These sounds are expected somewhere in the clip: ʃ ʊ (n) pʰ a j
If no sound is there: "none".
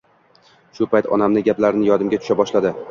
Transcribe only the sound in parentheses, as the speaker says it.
none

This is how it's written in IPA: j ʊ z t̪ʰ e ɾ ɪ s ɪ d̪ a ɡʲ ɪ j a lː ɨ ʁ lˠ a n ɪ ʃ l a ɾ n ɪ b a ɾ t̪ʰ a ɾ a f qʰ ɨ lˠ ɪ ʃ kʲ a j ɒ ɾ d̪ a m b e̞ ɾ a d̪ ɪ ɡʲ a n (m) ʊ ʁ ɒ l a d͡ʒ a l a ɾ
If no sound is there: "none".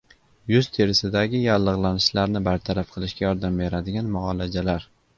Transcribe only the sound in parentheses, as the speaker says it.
m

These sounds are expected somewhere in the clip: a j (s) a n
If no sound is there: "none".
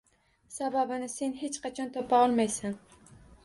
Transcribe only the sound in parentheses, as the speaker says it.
s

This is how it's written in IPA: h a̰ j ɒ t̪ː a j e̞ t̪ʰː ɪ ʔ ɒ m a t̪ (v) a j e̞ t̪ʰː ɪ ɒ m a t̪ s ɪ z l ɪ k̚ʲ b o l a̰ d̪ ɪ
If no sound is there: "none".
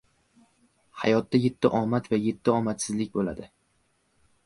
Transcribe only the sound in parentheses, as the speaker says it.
v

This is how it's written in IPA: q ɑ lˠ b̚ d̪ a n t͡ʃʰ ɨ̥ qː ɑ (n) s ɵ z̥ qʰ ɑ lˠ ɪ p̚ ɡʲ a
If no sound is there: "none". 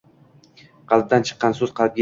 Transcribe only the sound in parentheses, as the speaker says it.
n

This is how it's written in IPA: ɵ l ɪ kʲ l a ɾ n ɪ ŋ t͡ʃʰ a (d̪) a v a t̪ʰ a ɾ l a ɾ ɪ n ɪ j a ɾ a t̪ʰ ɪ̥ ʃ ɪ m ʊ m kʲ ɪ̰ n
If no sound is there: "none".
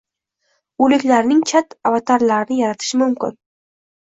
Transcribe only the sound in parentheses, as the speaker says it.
t̪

